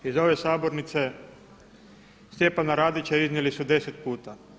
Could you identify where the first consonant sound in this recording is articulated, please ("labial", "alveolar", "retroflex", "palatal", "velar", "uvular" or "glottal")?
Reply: alveolar